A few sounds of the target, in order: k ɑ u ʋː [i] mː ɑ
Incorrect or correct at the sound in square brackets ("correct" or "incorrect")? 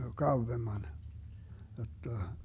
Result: incorrect